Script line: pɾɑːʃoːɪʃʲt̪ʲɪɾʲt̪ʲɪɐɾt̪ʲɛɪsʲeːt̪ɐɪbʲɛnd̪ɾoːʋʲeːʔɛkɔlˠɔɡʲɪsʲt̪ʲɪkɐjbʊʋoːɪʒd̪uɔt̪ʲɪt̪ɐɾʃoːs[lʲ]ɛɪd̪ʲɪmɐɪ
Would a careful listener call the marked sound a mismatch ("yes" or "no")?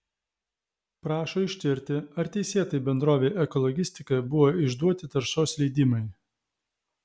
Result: no